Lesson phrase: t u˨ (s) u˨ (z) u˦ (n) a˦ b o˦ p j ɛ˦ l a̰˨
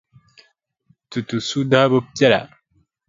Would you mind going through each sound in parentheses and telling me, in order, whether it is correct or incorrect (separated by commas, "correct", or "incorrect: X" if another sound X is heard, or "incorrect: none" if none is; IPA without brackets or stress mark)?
incorrect: t, incorrect: s, incorrect: d